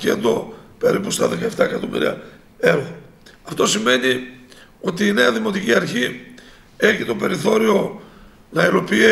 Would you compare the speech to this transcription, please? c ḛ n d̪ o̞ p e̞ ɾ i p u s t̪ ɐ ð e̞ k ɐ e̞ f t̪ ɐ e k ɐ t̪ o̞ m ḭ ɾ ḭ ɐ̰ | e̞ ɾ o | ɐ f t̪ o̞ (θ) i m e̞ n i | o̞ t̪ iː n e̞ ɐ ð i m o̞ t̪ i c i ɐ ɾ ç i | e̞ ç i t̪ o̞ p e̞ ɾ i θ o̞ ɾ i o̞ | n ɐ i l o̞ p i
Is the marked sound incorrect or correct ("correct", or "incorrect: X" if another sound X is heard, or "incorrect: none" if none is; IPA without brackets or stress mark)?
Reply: incorrect: s